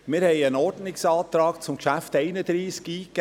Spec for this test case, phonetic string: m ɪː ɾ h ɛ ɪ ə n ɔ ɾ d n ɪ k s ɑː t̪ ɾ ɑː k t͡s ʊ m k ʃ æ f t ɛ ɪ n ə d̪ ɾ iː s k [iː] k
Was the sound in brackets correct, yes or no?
yes